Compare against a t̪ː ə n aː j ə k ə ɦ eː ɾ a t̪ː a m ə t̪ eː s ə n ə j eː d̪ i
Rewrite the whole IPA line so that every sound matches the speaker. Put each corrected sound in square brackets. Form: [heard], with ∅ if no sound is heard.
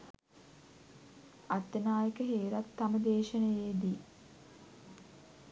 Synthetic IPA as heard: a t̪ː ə n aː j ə k ə ɦ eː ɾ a t̪ː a m ə [d̪] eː [ʃ] ə n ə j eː d̪ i